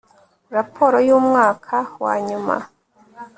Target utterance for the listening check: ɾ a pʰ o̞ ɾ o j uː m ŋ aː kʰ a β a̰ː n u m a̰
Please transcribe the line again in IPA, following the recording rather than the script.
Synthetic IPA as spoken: ɾ a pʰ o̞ ɾ o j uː m ŋ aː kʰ a w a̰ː ɲ u m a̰